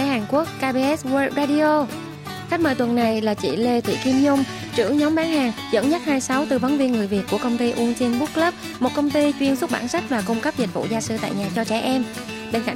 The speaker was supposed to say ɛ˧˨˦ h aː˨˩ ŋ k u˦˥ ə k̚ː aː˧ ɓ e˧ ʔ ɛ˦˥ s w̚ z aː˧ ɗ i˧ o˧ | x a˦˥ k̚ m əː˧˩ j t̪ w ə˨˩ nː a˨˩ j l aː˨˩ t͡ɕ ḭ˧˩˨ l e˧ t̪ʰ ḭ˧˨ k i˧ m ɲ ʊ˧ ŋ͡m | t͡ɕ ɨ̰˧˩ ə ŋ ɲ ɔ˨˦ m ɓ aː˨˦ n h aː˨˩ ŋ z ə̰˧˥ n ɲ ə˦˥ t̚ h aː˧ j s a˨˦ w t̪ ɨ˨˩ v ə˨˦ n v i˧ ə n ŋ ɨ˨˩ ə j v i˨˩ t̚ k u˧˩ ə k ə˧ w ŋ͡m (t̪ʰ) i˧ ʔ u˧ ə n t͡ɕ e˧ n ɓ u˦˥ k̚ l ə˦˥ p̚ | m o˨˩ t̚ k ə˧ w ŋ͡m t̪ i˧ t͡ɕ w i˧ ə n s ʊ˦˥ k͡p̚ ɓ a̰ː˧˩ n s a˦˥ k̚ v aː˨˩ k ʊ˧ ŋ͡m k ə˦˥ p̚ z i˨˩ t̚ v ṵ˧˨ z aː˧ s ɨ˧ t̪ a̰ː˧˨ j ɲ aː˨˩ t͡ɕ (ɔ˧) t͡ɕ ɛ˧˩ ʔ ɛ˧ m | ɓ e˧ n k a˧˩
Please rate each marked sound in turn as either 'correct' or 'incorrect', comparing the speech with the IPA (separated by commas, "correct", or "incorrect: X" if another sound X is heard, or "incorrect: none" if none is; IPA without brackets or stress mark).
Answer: incorrect: t̪, correct